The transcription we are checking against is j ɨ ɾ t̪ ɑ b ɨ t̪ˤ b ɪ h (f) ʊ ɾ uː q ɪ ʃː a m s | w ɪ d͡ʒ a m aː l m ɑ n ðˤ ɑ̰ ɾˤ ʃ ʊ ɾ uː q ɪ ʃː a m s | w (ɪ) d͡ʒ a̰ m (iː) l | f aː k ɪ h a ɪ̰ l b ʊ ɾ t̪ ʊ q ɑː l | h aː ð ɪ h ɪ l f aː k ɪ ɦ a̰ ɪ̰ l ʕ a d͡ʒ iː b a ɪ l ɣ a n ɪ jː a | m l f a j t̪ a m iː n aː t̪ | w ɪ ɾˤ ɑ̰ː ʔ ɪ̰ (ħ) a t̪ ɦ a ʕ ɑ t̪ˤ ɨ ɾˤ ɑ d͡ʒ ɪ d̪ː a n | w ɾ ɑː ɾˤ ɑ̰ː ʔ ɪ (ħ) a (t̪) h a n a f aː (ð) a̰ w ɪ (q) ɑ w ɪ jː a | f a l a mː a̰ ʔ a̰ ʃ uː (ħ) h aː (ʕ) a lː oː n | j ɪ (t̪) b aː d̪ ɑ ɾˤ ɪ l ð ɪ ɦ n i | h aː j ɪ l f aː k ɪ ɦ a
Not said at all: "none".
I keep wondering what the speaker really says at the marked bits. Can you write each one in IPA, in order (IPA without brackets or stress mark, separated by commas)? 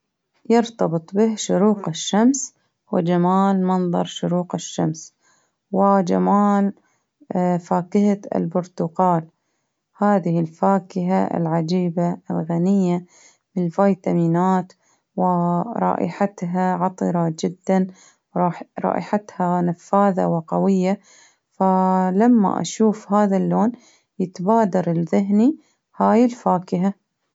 ʃ, ɪ, aː, ħ, ħ, t̪, ð, q, f, ð, t̪